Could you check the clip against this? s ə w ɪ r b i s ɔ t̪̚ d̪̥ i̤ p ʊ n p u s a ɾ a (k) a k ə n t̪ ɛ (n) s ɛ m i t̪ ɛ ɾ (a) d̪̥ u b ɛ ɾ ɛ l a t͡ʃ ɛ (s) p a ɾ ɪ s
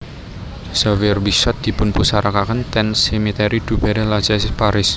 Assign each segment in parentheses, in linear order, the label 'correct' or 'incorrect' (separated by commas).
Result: correct, correct, incorrect, correct